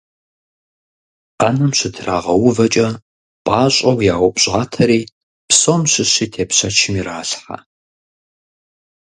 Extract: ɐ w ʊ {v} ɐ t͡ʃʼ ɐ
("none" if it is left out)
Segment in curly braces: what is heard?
v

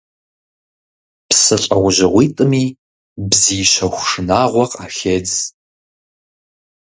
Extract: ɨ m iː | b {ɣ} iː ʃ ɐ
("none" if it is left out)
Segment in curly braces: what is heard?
z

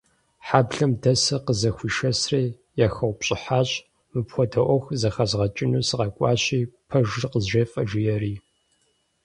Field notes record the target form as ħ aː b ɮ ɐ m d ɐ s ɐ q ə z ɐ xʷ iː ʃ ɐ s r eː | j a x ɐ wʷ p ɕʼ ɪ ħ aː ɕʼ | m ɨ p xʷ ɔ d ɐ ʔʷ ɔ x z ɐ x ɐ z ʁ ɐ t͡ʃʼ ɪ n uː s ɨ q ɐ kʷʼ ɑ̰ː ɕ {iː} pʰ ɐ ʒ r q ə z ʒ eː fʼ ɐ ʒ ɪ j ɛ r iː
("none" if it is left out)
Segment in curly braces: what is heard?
iː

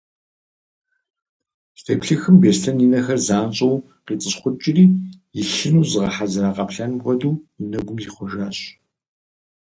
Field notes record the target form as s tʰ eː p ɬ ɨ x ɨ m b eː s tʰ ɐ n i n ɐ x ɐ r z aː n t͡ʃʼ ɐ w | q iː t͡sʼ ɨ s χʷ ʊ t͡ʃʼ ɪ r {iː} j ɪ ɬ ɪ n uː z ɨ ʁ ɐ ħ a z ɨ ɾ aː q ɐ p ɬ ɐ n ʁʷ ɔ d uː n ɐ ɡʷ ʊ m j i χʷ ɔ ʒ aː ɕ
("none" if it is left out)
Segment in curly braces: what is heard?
iː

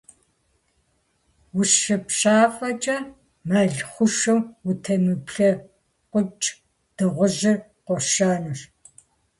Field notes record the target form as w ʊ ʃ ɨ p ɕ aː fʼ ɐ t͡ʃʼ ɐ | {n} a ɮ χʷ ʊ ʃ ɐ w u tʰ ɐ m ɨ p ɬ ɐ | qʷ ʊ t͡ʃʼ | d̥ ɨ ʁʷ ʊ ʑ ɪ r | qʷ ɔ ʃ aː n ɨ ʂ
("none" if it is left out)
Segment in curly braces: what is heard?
m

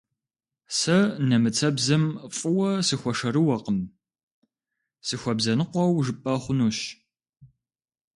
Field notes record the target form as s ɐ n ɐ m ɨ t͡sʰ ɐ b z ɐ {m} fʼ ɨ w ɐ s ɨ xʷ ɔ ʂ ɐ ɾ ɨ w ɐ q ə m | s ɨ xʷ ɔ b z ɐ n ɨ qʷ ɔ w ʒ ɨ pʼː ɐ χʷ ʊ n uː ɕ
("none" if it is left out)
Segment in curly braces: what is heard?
m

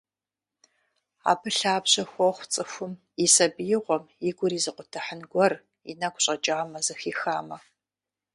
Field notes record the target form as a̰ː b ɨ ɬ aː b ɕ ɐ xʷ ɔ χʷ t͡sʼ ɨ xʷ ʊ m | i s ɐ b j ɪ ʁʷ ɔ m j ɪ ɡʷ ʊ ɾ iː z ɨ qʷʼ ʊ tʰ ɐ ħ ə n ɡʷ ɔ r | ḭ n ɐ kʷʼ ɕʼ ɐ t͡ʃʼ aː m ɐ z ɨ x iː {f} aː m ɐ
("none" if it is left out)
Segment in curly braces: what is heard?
x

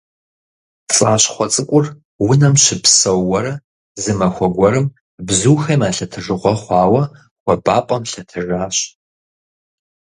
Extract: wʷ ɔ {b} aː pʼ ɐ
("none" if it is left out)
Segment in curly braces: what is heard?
b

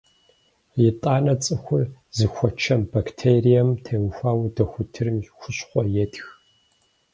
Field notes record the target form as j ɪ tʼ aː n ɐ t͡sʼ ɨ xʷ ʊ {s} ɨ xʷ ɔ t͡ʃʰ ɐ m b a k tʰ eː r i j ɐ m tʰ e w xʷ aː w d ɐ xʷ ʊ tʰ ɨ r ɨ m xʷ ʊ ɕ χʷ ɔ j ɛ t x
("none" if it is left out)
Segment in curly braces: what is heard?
z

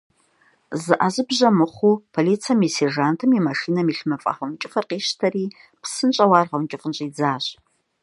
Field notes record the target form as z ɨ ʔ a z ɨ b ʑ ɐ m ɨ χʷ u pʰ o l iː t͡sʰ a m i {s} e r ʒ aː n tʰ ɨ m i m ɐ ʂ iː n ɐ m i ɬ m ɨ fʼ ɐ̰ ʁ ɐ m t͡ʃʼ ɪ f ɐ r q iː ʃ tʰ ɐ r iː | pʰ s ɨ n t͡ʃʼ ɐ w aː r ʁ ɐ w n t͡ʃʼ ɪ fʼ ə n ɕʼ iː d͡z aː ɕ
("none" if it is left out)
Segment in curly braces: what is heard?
s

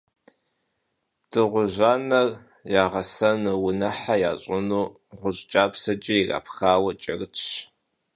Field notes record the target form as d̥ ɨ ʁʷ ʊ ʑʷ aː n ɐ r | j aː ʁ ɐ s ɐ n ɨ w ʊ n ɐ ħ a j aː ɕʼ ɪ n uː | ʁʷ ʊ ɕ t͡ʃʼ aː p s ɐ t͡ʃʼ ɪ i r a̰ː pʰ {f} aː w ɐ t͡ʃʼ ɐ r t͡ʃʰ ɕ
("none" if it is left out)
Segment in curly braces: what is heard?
x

